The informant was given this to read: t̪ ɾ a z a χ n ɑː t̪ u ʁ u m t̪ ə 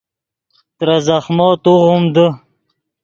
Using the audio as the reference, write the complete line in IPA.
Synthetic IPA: t̪ ɾ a z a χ m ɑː t̪ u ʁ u m d̪ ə